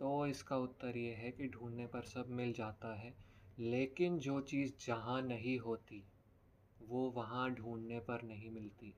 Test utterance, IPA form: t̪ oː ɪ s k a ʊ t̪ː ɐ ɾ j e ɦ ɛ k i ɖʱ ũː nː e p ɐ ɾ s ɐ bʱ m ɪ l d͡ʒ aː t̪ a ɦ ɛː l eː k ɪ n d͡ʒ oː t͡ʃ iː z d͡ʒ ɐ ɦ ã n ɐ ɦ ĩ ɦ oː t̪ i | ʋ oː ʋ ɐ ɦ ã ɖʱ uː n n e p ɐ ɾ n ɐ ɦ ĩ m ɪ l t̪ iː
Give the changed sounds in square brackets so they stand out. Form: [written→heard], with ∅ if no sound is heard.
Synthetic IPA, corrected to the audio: t̪ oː ɪ s k a ʊ t̪ː [ɐ→ə] ɾ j e ɦ ɛ k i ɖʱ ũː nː e p ɐ ɾ s ɐ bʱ m ɪ l d͡ʒ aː t̪ a ɦ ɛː l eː k ɪ n d͡ʒ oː t͡ʃ iː z d͡ʒ ɐ ɦ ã n ɐ ɦ ĩ ɦ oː t̪ i | ʋ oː ʋ ɐ ɦ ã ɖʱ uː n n e p ɐ ɾ n ɐ ɦ ĩ m ɪ l t̪ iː